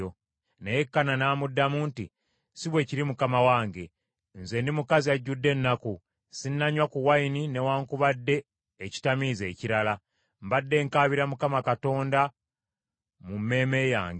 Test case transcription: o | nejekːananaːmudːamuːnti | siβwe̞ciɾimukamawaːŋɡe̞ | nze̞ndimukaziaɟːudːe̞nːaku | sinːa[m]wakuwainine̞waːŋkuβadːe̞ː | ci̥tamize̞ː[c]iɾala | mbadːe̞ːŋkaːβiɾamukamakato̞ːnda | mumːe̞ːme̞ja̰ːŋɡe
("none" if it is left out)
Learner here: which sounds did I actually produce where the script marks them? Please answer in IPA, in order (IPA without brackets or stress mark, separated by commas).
ɲ, c